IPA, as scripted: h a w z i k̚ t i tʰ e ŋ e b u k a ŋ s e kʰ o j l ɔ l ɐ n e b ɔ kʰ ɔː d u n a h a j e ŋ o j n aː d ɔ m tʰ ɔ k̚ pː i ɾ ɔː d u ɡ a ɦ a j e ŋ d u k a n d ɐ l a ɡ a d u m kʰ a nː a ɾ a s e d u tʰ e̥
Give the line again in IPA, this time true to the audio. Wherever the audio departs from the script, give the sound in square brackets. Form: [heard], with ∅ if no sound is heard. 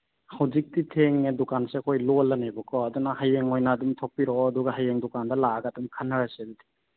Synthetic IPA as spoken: h a w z i k̚ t i tʰ e ŋ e [d] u k a [n] s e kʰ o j l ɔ l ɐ n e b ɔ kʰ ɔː d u n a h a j e ŋ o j n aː d [u] m tʰ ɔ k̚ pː i ɾ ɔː d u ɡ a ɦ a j e ŋ d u k a n d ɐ l a ɡ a d u m kʰ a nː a ɾ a s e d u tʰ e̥